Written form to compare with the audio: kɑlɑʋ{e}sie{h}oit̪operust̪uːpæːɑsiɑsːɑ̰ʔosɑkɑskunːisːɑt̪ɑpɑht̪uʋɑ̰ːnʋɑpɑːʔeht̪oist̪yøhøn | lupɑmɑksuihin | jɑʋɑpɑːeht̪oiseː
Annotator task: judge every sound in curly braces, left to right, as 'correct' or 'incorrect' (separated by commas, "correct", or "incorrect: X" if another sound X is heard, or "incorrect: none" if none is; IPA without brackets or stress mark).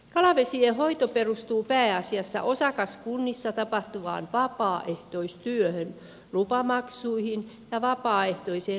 correct, correct